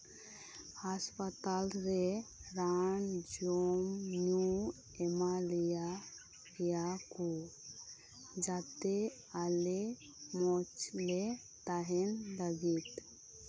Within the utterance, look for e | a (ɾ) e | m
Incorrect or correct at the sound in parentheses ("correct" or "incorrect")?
incorrect